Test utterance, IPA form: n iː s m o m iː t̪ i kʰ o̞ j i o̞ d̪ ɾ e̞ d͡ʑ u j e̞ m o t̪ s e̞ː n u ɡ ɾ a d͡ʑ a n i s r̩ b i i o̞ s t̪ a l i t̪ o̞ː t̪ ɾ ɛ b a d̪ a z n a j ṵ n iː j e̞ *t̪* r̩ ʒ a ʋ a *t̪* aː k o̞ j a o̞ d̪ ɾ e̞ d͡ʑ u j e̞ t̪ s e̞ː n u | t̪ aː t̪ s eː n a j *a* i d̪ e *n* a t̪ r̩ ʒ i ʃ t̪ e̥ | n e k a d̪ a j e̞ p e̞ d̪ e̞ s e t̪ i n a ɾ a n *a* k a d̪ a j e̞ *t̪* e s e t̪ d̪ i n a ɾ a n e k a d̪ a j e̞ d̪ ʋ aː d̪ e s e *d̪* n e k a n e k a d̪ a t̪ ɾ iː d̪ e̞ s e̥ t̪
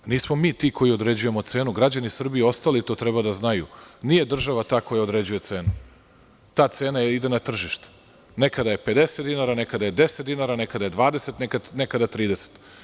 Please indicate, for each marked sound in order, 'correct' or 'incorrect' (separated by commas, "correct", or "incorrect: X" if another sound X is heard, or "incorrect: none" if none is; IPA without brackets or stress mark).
incorrect: d̪, correct, incorrect: e, correct, incorrect: e, incorrect: d̪, incorrect: t̪